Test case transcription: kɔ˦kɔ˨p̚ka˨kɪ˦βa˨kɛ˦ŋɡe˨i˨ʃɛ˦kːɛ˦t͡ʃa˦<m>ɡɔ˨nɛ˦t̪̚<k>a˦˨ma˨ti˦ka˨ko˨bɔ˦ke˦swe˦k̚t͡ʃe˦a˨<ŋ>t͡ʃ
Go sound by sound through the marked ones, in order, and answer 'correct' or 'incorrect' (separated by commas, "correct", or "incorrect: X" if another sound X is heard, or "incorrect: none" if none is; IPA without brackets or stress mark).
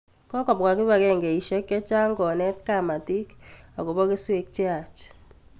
incorrect: ŋ, correct, incorrect: none